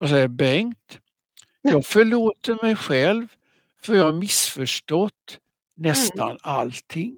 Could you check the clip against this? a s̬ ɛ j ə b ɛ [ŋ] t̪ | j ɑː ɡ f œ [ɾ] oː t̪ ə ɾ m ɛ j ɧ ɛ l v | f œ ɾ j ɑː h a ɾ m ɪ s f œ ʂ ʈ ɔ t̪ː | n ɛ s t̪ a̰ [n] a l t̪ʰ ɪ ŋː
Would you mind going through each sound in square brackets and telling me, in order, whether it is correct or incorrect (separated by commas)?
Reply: correct, incorrect, correct